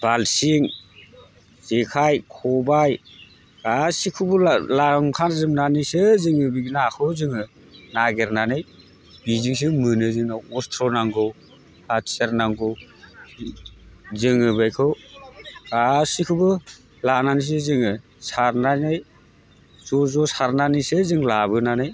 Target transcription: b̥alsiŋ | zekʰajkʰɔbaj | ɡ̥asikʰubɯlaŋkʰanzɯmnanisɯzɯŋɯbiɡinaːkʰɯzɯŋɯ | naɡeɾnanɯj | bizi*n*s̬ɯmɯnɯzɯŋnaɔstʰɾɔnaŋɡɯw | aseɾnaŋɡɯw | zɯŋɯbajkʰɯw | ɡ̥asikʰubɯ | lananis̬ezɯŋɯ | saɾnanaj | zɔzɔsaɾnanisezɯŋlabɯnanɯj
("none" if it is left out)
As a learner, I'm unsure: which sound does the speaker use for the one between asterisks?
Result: ŋ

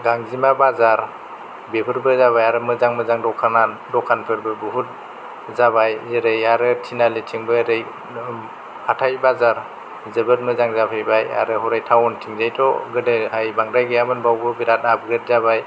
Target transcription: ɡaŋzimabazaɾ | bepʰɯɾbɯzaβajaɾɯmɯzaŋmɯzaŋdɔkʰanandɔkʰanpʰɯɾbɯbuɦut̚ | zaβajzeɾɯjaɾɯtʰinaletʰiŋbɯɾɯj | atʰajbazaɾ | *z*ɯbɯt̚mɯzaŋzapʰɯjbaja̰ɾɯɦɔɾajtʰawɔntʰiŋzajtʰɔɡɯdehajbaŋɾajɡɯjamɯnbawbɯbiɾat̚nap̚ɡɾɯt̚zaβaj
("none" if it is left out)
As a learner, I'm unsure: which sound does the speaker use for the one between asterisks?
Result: z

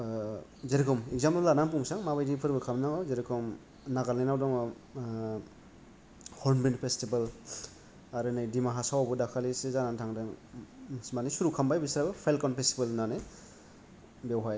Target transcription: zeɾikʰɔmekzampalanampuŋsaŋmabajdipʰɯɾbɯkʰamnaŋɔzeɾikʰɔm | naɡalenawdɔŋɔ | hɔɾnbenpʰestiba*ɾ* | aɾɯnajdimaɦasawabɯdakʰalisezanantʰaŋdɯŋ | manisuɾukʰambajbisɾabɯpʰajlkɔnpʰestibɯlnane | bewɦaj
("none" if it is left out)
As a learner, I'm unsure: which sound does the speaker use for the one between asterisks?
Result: l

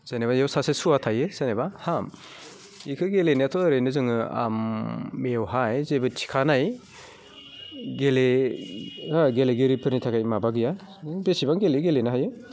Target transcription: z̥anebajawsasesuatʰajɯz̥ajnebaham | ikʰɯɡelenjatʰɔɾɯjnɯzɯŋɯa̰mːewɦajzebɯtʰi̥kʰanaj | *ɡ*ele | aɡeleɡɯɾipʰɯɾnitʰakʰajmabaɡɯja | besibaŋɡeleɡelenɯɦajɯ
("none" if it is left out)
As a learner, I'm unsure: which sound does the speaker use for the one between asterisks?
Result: ɡ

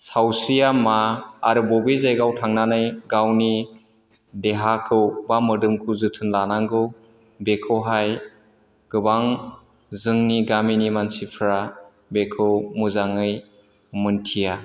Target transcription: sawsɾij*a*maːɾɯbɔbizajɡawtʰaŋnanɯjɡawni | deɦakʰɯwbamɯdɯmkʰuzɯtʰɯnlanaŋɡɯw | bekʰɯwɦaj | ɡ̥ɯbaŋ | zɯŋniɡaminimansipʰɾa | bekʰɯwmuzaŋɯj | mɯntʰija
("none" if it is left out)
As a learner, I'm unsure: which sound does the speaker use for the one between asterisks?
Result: a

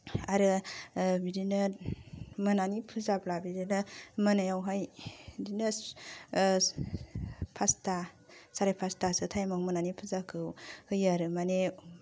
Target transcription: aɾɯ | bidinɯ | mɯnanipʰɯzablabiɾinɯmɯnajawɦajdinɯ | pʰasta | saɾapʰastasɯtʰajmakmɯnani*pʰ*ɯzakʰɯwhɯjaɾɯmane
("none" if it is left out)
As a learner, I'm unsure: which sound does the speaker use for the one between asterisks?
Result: pʰ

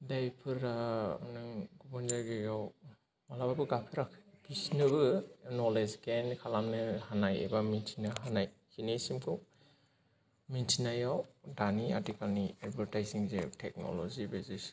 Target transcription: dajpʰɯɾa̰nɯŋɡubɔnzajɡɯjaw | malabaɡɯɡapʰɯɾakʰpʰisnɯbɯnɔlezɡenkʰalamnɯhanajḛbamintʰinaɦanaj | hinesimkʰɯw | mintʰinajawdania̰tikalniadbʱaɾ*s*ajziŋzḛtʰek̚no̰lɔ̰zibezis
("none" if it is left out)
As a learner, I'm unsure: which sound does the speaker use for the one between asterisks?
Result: t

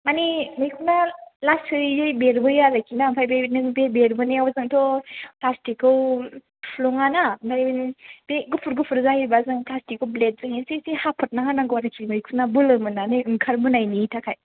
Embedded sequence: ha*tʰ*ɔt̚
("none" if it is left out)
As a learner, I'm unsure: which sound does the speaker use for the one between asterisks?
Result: pʰ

